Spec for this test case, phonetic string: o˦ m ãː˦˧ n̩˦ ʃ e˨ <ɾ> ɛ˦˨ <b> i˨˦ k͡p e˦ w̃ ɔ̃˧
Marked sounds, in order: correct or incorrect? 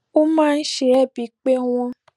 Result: correct, correct

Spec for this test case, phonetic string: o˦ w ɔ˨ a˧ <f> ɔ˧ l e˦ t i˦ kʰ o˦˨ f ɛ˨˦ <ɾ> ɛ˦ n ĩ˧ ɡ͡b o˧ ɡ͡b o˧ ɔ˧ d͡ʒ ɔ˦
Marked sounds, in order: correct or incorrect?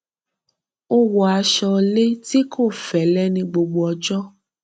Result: incorrect: ʃ, incorrect: l

